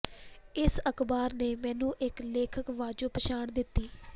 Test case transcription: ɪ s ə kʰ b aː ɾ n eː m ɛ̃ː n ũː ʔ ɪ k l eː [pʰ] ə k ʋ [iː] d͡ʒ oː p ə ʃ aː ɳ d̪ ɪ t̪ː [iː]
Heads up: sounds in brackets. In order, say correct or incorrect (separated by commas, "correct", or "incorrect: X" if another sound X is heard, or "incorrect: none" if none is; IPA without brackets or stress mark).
incorrect: kʰ, incorrect: aː, correct